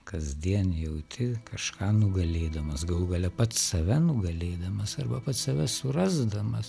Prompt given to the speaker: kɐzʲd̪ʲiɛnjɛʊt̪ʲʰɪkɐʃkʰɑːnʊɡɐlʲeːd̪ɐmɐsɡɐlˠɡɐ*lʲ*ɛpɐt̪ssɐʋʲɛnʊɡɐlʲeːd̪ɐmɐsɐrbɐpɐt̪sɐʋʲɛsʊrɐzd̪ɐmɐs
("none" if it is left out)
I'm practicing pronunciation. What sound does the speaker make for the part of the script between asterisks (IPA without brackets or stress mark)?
lʲ